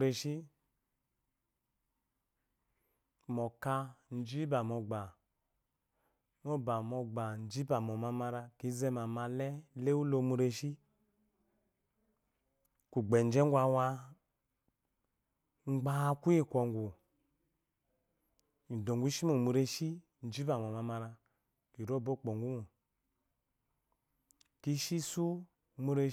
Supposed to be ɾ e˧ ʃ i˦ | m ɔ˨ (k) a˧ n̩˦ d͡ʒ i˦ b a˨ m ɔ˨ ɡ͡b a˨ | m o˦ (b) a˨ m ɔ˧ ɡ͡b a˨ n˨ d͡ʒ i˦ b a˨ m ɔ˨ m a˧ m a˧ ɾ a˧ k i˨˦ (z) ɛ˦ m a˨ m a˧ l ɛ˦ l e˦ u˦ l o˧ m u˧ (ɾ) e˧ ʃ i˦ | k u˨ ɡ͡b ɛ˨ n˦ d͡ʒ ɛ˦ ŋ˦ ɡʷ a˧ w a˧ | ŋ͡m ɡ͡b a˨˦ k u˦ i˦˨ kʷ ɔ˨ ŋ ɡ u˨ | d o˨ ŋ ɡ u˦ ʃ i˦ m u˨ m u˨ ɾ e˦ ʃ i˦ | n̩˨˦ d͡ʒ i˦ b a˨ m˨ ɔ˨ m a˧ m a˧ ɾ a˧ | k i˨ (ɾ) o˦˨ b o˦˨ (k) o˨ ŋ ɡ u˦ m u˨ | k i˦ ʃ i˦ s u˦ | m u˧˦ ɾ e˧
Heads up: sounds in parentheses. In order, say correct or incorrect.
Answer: correct, correct, correct, correct, correct, incorrect: k͡p

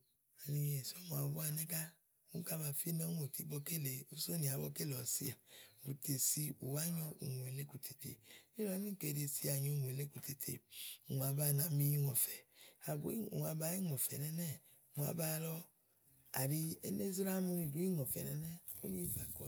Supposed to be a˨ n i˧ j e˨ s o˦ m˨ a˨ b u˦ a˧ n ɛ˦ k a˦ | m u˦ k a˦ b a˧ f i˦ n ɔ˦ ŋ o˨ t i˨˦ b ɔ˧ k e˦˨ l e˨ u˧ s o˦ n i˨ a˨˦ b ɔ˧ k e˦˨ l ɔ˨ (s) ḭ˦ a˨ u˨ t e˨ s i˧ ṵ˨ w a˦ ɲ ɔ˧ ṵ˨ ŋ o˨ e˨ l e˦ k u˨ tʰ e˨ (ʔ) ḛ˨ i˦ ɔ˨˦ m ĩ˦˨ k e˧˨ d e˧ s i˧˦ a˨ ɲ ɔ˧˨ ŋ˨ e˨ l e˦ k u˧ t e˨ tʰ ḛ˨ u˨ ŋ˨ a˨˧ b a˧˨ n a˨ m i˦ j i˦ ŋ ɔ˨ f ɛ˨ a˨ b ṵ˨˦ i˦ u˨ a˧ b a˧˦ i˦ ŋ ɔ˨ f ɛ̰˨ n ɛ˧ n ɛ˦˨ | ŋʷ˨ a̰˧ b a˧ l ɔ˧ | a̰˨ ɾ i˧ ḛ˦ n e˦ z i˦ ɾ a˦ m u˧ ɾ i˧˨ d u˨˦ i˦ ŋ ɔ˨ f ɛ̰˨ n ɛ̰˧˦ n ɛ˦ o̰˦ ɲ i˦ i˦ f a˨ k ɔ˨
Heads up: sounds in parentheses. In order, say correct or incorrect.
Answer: correct, incorrect: t

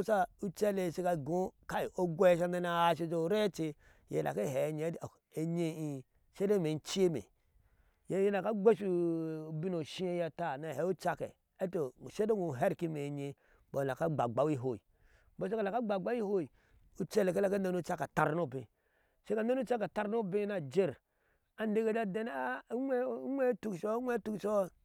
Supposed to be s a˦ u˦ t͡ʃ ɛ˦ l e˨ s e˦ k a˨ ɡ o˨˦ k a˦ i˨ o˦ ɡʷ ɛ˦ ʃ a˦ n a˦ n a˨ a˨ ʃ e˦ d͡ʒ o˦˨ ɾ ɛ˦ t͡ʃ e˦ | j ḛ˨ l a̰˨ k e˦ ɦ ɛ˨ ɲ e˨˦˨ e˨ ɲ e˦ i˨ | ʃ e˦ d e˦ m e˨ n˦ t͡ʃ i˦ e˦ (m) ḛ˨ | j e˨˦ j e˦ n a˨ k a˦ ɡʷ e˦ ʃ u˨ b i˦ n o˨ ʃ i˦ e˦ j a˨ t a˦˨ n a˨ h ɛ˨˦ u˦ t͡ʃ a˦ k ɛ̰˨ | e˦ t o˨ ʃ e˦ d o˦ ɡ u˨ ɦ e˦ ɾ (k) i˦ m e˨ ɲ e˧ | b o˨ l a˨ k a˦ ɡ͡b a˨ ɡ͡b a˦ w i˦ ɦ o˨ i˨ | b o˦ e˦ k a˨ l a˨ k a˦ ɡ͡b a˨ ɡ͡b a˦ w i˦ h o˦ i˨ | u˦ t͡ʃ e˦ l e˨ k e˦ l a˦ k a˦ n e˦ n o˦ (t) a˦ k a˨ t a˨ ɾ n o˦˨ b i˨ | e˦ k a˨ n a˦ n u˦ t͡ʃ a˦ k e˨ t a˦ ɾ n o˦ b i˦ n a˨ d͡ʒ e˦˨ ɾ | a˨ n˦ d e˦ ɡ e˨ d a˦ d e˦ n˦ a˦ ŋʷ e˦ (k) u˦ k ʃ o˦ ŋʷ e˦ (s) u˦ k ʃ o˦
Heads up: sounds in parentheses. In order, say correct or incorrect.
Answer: correct, correct, incorrect: t͡ʃ, incorrect: t, incorrect: t

